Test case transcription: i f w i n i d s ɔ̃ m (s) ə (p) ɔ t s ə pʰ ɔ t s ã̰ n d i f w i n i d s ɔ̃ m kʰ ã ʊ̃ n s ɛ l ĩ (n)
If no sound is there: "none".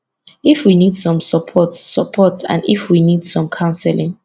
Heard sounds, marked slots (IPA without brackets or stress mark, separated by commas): s, pʰ, ŋ